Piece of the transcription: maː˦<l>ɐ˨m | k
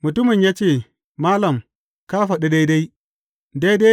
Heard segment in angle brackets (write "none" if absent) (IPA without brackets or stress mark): l